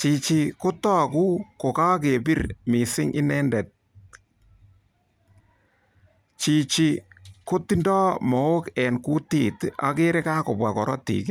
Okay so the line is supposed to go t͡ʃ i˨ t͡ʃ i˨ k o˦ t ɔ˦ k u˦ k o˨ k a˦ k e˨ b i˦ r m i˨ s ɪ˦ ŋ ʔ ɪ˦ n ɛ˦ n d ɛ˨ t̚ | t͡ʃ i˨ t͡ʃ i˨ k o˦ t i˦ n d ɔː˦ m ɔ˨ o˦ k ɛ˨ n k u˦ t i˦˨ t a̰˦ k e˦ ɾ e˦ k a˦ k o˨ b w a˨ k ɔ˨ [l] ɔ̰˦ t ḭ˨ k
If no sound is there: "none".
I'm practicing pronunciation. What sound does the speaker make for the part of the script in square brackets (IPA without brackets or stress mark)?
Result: ɾ